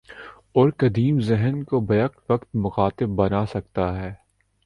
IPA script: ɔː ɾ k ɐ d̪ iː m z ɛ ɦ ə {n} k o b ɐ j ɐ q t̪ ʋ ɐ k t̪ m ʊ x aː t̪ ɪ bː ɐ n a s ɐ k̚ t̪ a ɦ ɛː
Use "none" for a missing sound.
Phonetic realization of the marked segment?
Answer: n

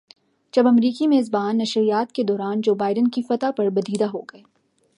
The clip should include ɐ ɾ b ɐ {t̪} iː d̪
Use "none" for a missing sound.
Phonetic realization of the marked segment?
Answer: d̪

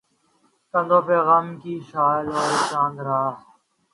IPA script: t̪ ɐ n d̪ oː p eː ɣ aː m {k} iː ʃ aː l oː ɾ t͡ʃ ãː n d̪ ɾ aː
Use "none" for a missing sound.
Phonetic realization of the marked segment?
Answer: k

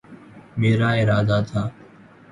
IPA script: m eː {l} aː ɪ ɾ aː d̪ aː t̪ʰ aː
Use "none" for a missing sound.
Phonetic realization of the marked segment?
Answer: ɾ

